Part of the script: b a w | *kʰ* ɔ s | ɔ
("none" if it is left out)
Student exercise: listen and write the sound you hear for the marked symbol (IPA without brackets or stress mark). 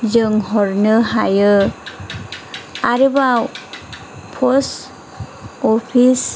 pʰ